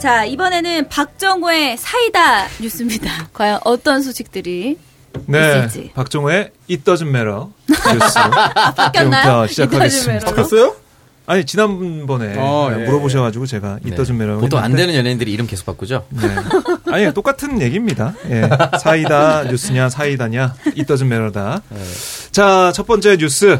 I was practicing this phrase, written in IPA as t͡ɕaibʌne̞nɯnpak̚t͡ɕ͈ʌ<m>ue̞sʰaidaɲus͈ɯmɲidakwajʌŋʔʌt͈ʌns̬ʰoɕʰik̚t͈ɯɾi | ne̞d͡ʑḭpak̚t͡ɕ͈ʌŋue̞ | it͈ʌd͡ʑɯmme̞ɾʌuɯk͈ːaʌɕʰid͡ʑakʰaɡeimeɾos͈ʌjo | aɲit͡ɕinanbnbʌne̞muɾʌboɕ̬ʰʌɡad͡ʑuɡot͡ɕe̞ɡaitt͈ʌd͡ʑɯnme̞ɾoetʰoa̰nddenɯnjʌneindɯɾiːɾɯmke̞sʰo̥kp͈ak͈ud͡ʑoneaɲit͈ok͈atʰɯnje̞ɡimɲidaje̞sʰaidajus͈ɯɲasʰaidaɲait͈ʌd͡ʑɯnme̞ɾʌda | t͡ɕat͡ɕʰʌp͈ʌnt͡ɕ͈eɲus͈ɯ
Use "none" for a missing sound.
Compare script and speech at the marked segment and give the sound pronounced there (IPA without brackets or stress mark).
ŋ